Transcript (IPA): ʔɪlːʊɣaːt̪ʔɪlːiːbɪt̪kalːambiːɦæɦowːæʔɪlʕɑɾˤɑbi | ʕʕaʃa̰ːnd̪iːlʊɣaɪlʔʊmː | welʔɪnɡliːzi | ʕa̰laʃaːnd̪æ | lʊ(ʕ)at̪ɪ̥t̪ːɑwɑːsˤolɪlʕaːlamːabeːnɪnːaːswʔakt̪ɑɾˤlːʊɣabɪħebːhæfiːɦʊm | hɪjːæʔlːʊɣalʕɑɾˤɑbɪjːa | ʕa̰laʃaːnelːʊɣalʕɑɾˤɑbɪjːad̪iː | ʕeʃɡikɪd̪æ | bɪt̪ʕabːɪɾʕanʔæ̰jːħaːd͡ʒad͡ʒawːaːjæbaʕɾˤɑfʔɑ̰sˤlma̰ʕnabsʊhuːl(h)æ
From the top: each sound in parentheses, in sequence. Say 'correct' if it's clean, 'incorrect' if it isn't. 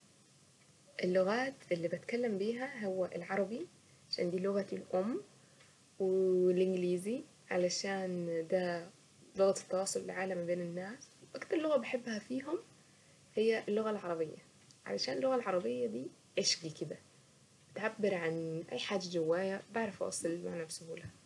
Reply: incorrect, correct

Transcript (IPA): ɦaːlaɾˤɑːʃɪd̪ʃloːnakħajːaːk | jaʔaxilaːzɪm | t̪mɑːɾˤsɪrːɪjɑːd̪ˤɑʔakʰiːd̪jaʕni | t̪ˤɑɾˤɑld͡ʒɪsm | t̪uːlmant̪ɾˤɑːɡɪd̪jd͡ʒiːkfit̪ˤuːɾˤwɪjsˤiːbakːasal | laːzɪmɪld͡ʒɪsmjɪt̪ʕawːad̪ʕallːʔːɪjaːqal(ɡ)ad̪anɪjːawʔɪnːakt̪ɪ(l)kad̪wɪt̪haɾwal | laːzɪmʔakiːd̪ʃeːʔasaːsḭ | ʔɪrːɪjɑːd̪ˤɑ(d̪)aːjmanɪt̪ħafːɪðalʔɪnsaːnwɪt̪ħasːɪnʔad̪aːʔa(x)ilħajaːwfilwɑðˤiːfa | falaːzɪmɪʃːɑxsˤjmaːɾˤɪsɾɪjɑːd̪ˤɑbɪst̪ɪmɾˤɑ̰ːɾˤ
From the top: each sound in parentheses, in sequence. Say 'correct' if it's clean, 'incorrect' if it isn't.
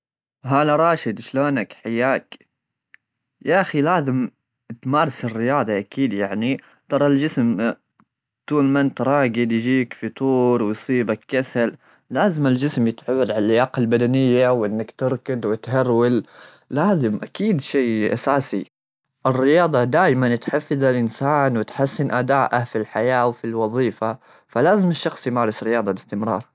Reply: incorrect, incorrect, correct, incorrect

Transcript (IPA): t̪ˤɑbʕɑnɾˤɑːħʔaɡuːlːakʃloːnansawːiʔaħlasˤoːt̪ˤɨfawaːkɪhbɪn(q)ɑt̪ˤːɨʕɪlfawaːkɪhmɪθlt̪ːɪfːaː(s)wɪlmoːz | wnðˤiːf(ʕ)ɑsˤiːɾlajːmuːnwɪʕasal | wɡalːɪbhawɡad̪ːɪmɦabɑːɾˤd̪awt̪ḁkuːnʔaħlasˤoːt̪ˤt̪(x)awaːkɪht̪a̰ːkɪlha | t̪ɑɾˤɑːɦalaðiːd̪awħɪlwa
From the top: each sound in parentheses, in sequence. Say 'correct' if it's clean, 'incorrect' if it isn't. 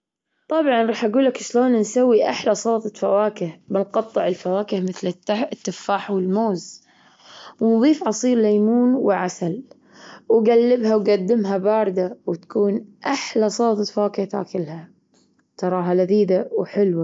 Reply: correct, incorrect, correct, incorrect

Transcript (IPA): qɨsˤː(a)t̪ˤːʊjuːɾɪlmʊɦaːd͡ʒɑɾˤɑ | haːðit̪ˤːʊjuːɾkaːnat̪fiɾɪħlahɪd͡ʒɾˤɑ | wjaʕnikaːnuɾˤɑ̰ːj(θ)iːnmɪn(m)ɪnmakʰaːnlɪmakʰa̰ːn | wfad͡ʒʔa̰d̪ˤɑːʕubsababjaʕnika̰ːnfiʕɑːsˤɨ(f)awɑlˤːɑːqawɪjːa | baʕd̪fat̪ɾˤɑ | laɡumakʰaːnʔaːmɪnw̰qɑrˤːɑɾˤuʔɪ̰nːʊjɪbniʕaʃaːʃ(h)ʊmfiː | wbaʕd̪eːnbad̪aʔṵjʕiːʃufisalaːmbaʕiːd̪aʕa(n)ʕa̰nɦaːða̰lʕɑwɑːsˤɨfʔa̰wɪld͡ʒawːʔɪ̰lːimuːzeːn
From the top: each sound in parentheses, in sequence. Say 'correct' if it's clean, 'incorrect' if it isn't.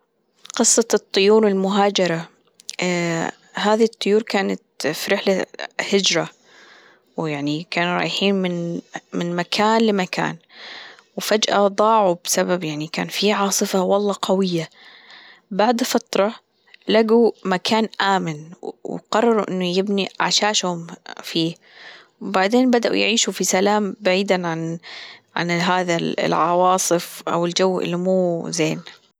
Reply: incorrect, incorrect, correct, correct, correct, correct

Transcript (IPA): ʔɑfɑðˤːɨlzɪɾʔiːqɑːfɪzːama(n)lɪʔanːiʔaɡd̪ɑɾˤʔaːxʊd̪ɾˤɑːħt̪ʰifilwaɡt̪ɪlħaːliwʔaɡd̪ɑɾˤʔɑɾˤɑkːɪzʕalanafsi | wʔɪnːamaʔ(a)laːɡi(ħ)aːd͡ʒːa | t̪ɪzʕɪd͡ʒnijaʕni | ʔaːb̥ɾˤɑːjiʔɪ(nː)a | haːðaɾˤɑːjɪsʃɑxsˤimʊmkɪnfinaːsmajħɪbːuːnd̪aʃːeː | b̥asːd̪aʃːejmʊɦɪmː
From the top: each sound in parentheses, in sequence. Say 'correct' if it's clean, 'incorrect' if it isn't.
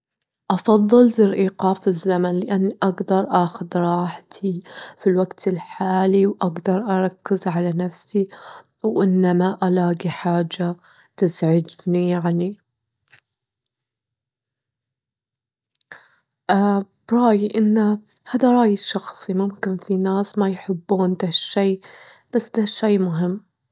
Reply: correct, correct, correct, correct

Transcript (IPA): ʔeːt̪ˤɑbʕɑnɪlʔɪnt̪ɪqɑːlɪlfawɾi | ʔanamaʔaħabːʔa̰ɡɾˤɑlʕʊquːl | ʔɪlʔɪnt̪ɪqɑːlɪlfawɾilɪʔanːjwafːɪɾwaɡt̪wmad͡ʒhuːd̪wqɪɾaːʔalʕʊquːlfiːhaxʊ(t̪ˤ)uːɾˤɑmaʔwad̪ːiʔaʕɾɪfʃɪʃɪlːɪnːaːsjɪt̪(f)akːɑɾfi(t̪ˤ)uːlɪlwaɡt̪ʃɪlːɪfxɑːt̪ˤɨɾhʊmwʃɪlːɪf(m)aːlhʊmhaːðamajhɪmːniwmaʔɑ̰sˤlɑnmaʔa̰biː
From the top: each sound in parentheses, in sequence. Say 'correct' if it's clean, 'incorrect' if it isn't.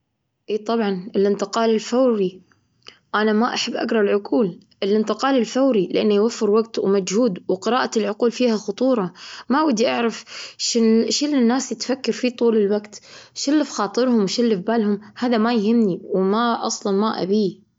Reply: correct, correct, correct, incorrect

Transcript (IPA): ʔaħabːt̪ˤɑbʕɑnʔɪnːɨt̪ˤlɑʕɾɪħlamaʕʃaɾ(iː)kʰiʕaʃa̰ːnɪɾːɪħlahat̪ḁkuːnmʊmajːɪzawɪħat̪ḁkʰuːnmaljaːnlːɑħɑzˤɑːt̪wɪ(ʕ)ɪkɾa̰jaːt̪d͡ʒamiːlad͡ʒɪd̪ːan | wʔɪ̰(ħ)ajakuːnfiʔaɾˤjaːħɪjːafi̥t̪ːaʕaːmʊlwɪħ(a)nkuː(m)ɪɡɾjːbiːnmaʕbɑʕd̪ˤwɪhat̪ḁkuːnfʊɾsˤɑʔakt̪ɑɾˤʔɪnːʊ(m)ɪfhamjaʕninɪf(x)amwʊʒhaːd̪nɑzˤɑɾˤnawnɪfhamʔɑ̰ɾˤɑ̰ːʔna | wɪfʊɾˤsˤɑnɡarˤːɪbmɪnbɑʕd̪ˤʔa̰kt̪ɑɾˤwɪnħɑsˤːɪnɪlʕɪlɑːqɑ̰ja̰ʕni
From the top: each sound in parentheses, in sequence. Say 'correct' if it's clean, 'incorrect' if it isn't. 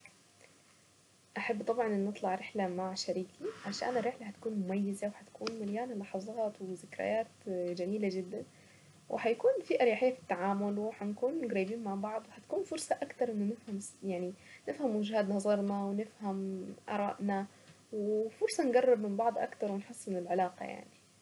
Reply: correct, incorrect, correct, correct, incorrect, incorrect, incorrect

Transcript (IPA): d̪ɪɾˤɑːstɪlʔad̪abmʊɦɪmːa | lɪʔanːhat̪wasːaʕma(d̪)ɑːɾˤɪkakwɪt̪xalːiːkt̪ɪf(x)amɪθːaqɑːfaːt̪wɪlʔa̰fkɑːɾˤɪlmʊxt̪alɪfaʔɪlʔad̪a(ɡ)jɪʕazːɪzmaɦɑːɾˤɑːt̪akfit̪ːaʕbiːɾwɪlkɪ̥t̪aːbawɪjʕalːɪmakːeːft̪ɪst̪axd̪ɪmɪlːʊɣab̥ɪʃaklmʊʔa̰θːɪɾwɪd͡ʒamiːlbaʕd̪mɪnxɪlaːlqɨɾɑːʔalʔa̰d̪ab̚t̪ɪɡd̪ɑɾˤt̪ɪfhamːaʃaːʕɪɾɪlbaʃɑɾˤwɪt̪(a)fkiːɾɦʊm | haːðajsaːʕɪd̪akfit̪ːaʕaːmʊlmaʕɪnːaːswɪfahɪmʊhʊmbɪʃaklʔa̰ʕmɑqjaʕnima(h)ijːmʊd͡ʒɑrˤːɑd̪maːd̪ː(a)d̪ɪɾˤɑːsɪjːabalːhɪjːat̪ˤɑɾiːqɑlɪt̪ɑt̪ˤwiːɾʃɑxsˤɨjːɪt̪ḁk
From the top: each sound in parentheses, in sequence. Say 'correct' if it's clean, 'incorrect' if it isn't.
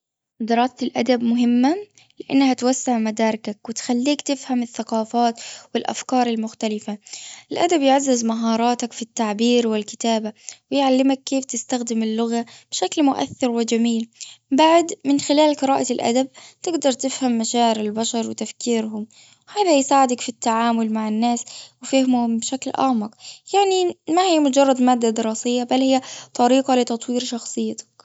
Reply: correct, incorrect, incorrect, correct, correct, correct

